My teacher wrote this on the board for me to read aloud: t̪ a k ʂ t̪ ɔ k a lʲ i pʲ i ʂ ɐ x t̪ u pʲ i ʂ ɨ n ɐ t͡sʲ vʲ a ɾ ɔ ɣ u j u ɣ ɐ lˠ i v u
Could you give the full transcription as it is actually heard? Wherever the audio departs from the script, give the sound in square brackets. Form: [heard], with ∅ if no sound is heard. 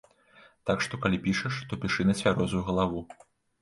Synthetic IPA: t̪ a k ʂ t̪ ɔ k a lʲ i pʲ i ʂ ɐ [ʂ] t̪ [ɔ] pʲ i ʂ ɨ n ɐ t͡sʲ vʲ a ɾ ɔ [z] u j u ɣ ɐ lˠ [a] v u